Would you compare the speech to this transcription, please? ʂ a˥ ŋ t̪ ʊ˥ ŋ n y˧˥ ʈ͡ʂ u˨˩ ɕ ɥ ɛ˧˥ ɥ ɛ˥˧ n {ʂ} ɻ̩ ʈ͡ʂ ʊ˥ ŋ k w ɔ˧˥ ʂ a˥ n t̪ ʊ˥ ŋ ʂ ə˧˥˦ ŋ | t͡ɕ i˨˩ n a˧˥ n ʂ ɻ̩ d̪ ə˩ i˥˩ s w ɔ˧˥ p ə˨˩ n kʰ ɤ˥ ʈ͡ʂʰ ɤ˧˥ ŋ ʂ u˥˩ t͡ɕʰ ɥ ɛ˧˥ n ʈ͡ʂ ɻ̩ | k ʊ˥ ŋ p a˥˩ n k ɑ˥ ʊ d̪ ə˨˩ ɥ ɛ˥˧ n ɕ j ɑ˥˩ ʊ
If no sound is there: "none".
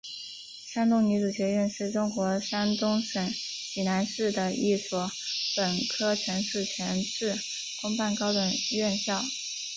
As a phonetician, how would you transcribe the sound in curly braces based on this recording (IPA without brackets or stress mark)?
ʂ